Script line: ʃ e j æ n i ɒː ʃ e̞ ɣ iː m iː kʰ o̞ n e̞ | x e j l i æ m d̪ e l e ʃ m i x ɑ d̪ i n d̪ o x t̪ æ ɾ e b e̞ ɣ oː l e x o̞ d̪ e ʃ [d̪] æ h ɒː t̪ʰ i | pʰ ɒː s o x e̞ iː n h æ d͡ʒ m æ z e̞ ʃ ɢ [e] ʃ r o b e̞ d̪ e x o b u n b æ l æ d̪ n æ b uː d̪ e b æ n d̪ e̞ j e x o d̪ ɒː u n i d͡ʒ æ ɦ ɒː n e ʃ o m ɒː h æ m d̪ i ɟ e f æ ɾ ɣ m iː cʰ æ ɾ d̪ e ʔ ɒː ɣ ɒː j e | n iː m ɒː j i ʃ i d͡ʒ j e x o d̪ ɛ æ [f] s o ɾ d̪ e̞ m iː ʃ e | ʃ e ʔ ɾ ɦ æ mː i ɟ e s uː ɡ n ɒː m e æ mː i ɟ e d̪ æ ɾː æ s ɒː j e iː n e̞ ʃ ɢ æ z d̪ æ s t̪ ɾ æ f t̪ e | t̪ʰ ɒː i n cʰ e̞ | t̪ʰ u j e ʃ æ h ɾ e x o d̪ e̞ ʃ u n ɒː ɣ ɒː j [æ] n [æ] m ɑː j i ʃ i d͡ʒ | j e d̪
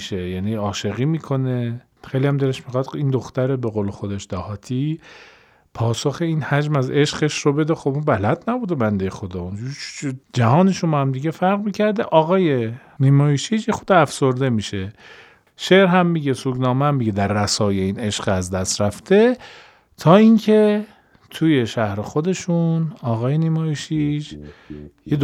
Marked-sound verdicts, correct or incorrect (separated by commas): correct, correct, correct, incorrect, incorrect